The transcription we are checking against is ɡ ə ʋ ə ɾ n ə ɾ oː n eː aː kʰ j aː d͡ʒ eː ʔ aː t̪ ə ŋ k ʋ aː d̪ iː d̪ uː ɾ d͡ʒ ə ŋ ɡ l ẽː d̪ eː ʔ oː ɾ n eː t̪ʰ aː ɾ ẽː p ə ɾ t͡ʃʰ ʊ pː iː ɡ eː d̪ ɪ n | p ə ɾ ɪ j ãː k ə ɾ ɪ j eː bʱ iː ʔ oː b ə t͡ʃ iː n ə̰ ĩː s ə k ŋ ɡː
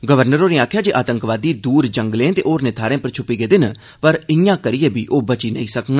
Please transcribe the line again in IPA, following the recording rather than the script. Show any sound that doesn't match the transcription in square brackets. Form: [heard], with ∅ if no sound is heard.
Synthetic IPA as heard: ɡ ə ʋ ə ɾ n ə ɾ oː n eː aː kʰ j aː d͡ʒ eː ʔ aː t̪ ə ŋ k ʋ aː d̪ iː d̪ uː ɾ d͡ʒ ə ŋ ɡ l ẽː [t̪] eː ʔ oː ɾ n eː t̪ʰ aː ɾ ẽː p ə ɾ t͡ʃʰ ʊ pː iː ɡ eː d̪ ɪ n | p ə ɾ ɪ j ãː k ə ɾ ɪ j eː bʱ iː ʔ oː b ə t͡ʃ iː n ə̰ ĩː s ə k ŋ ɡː